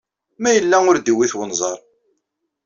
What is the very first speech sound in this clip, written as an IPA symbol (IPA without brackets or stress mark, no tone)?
m